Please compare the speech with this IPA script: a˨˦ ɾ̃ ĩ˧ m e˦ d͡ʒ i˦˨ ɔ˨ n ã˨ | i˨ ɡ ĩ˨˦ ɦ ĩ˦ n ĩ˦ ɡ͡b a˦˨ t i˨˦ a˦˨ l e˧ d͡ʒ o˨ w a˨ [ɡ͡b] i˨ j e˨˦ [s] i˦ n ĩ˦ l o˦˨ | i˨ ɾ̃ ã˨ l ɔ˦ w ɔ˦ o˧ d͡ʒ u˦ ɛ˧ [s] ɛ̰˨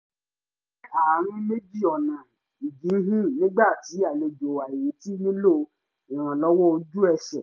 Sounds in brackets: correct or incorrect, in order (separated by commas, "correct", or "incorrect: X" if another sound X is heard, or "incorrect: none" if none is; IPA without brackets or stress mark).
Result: incorrect: none, incorrect: t, incorrect: ʃ